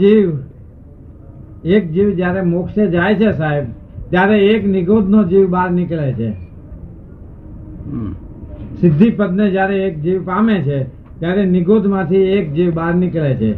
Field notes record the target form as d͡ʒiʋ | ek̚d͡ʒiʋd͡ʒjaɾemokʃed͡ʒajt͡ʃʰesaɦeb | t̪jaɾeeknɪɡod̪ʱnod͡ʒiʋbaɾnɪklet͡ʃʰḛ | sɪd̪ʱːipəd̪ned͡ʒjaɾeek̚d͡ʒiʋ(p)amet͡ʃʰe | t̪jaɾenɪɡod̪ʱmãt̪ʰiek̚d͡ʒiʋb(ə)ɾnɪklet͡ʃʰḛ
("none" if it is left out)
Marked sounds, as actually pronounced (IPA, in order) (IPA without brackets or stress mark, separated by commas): p, a